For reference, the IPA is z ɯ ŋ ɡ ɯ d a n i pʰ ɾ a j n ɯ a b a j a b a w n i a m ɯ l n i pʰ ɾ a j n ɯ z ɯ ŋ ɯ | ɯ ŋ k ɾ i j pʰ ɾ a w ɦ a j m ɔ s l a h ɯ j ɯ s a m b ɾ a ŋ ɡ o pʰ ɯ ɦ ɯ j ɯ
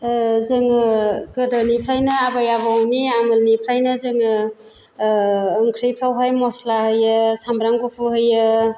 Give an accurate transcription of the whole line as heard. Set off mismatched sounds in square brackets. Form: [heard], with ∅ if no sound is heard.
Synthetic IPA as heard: z ɯ ŋ ɡ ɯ d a n i pʰ ɾ a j n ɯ a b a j a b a w n i a m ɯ l n i pʰ ɾ a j n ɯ z ɯ ŋ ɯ | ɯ ŋ [kʰ] ɾ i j pʰ ɾ a w ɦ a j m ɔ s l a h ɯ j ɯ s a m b ɾ a ŋ ɡ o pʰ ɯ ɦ ɯ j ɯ